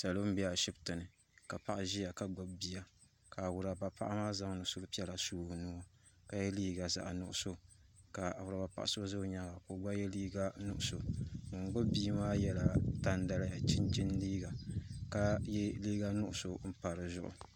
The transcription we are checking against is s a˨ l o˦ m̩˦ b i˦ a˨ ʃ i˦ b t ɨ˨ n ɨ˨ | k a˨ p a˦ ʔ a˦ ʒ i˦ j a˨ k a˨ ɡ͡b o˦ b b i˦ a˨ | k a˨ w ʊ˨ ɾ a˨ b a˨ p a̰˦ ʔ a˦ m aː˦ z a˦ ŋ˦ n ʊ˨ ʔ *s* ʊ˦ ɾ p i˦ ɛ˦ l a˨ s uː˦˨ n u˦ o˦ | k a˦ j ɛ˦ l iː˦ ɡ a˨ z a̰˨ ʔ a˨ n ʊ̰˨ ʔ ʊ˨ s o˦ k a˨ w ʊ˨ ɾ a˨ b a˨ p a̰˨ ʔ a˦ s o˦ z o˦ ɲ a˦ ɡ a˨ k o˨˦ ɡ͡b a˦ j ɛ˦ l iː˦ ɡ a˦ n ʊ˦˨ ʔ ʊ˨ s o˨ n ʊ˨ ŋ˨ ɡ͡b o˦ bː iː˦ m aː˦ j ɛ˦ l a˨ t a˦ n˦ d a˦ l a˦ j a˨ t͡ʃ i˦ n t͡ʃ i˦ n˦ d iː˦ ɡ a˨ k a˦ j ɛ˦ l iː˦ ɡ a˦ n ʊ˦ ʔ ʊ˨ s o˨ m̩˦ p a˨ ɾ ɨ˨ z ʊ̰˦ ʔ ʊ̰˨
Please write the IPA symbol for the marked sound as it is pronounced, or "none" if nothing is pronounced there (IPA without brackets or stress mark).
s